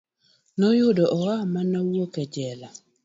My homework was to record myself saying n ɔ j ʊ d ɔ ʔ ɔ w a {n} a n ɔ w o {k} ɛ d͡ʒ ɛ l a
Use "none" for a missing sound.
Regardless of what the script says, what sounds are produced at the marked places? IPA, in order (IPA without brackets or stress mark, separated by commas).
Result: m, k